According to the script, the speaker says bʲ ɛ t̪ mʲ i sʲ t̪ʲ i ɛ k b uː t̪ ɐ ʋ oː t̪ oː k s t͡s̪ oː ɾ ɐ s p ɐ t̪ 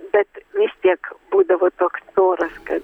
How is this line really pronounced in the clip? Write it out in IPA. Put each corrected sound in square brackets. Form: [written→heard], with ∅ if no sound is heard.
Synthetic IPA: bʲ ɛ t̪ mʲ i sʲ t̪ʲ i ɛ k b uː [t̪→d̪] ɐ ʋ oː t̪ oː k s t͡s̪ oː ɾ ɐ s [p→k] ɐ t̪